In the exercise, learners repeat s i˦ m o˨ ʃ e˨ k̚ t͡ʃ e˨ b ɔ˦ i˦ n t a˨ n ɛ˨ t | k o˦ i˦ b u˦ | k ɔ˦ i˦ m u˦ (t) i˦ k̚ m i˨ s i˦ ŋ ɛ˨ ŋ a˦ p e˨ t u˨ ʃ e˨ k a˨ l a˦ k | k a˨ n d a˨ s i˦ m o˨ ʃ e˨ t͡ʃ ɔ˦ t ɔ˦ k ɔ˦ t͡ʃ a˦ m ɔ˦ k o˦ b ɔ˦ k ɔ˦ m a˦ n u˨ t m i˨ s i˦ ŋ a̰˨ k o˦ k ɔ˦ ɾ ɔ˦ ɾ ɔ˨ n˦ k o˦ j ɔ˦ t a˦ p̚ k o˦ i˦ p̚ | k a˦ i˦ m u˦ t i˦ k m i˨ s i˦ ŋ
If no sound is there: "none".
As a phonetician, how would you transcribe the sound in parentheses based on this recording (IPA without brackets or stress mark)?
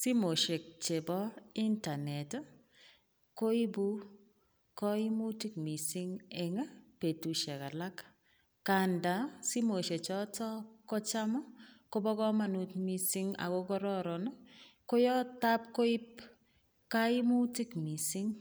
t